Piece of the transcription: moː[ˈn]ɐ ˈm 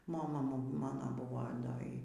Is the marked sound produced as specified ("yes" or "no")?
no